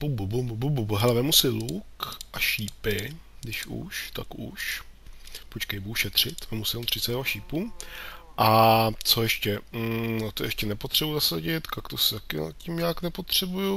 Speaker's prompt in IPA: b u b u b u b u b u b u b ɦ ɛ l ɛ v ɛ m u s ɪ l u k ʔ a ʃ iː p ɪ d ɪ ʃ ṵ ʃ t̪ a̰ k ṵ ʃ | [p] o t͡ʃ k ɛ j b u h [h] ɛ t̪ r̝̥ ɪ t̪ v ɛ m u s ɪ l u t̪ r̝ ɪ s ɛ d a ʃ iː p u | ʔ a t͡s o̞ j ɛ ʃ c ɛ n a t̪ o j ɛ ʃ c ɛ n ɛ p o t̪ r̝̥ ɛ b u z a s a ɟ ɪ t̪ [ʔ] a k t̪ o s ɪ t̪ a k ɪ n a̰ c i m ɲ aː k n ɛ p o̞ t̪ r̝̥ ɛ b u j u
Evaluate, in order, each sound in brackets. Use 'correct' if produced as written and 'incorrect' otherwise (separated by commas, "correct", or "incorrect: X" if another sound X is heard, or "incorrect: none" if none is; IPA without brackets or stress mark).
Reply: correct, incorrect: ʃ, incorrect: k